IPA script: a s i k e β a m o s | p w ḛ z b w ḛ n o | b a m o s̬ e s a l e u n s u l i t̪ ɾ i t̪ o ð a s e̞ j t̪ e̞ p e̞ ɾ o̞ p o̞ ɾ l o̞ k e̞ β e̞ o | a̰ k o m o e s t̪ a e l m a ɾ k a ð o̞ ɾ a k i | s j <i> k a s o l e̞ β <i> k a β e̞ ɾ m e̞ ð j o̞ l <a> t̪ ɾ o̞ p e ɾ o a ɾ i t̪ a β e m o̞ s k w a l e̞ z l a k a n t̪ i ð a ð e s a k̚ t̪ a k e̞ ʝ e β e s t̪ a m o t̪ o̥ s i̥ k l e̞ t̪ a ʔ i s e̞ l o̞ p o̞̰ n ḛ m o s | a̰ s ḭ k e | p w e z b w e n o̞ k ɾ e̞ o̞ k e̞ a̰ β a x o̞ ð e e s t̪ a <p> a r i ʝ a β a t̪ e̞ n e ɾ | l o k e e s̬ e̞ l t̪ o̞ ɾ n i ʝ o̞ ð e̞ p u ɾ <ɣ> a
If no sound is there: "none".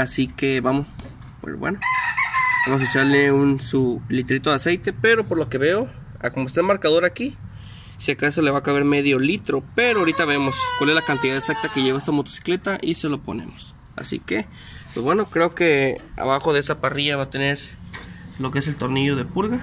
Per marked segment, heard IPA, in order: a, a, i, p, ɣ

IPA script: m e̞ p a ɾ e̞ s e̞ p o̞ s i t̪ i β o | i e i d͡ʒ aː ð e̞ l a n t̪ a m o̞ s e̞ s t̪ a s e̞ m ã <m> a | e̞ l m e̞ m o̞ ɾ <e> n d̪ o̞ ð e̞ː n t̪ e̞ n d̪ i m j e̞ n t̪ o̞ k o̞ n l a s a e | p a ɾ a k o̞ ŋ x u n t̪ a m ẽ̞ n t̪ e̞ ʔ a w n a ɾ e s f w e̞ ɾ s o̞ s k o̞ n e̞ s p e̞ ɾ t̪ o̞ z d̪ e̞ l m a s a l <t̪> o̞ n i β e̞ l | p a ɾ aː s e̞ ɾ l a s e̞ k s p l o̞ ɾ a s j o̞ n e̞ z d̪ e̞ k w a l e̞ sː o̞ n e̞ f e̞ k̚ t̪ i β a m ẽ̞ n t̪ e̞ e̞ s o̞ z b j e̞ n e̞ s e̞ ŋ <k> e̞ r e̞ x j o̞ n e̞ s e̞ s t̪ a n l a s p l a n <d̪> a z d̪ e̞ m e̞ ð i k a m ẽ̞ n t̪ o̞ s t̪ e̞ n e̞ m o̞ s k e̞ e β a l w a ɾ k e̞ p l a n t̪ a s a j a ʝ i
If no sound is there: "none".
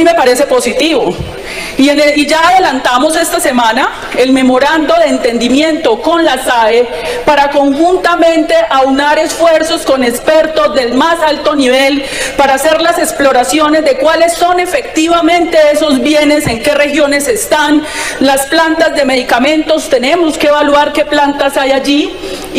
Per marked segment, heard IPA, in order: n, a, t̪, k, t̪

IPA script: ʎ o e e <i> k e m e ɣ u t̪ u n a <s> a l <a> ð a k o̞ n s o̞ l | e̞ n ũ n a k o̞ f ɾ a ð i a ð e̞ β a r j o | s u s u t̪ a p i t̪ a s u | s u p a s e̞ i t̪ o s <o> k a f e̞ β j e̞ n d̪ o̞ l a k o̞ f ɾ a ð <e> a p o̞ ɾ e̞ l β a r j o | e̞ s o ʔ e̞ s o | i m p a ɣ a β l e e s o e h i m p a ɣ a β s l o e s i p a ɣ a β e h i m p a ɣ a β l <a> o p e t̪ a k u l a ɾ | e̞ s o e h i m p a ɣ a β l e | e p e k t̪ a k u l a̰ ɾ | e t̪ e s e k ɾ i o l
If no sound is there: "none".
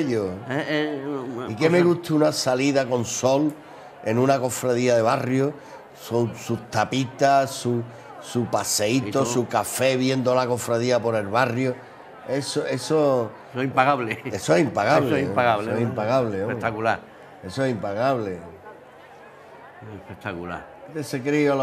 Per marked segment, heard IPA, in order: i, s, i, u, i, e

